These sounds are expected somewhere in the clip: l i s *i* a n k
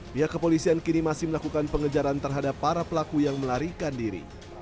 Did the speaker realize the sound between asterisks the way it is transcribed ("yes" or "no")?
yes